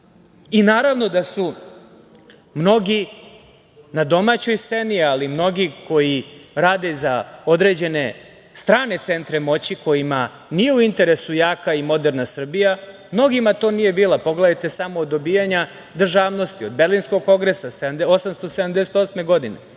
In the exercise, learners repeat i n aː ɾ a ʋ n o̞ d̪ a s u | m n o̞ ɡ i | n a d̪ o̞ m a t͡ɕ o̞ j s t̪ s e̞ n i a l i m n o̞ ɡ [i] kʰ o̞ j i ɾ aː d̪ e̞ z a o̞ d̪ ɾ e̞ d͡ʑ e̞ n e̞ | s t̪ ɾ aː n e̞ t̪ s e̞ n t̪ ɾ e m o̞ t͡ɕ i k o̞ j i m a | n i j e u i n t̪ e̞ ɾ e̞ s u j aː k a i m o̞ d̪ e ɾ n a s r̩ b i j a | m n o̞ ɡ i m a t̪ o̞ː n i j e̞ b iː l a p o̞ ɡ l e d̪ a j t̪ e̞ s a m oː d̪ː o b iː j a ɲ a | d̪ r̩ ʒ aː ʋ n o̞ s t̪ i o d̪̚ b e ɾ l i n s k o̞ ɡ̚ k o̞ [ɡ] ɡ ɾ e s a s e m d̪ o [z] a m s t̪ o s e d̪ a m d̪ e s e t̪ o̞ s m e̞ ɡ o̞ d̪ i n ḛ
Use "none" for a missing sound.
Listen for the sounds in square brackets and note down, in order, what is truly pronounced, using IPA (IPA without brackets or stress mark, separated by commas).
i, ŋ, s